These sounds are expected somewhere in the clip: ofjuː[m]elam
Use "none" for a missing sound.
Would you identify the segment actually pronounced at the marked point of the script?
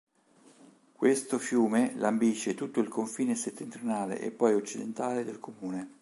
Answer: m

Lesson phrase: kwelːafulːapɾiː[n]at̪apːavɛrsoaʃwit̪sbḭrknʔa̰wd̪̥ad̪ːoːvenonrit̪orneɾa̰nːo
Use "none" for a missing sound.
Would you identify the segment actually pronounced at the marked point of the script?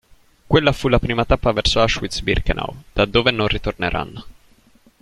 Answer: m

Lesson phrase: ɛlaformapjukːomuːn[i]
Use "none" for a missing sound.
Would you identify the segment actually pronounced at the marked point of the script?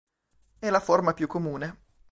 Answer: e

